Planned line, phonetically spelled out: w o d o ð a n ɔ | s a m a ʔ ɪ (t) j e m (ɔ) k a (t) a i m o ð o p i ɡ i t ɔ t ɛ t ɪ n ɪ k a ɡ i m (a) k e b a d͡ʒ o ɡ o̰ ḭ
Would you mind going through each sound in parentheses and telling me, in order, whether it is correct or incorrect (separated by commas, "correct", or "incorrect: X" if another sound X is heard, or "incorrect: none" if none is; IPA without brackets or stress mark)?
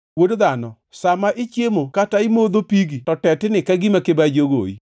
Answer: incorrect: t͡ʃ, incorrect: o, correct, correct